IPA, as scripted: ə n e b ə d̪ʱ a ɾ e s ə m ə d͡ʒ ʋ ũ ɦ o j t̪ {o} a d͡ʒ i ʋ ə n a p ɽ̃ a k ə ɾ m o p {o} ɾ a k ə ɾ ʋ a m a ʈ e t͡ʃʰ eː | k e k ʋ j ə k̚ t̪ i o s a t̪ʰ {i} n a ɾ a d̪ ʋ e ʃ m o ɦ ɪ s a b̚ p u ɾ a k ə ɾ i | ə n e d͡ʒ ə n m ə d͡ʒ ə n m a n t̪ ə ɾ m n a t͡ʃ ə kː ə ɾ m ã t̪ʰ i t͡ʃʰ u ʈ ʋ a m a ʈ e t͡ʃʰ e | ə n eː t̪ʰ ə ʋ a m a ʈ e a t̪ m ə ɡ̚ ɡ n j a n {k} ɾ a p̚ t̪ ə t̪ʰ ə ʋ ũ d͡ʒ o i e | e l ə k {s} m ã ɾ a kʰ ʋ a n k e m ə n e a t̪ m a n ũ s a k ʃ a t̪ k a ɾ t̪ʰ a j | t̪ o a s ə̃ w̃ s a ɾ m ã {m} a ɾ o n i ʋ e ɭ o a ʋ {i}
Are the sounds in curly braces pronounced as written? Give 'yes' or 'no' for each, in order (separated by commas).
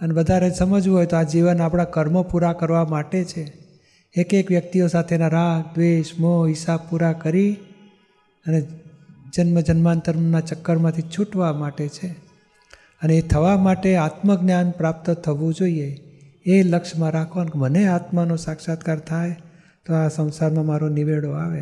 yes, no, no, no, no, yes, no